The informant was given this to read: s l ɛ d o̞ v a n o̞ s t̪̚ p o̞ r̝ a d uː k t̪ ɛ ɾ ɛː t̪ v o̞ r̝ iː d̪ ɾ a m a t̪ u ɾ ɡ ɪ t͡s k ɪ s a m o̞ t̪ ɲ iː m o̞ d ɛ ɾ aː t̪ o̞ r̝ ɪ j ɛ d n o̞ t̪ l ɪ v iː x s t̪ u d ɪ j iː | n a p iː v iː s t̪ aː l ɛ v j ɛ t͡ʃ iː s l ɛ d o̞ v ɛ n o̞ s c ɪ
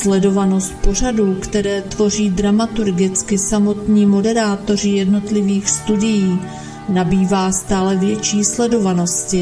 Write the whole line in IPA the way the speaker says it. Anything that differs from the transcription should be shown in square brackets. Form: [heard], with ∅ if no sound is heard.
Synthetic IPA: s l ɛ d o̞ v a n o̞ s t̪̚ p o̞ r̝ a d uː k t̪ ɛ ɾ ɛː t̪ v o̞ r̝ iː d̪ ɾ a m a t̪ u ɾ ɡ ɪ t͡s k ɪ s a m o̞ t̪ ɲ iː m o̞ d ɛ ɾ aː t̪ o̞ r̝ ɪ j ɛ d n o̞ t̪ l ɪ v iː x s t̪ u d ɪ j iː | n a [b] iː v [aː] s t̪ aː l ɛ v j ɛ t͡ʃ iː s l ɛ d o̞ v [a] n o̞ s c ɪ